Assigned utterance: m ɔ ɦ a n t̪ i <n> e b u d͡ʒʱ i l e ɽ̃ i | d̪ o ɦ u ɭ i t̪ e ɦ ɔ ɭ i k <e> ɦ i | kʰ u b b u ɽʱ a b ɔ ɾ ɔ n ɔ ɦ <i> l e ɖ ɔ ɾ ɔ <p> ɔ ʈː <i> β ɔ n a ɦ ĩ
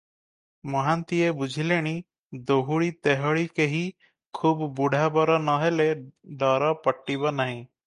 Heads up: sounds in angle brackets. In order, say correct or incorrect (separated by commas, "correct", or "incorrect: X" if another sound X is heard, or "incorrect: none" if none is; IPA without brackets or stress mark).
incorrect: none, correct, incorrect: e, correct, correct